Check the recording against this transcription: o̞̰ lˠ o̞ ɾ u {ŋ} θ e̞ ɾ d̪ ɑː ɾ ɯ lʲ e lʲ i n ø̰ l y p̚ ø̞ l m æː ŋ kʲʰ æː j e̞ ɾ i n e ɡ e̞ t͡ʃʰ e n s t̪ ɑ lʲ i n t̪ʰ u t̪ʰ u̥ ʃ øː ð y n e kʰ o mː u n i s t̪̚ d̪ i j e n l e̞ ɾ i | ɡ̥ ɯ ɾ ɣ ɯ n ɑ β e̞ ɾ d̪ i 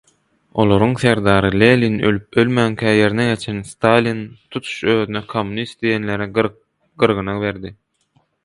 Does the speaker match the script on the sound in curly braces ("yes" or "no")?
yes